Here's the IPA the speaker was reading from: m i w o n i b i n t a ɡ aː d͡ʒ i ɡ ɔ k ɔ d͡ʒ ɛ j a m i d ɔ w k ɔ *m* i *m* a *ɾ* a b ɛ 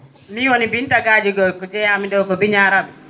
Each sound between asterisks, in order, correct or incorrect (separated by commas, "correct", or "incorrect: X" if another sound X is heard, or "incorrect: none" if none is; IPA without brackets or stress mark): incorrect: b, incorrect: ɲ, correct